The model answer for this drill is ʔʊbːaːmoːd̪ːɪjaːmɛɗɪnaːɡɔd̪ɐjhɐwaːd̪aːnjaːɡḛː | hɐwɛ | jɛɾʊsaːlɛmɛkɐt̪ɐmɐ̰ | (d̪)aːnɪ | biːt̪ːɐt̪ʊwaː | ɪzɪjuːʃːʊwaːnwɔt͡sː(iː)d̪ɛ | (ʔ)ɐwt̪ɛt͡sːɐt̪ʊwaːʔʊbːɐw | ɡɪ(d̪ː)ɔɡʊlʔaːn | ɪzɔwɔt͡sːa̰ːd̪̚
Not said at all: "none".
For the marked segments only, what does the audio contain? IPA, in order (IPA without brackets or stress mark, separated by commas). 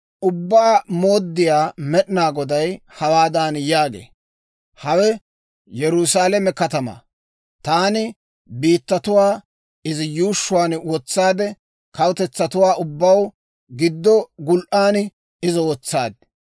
t̪, aː, k, d̪ː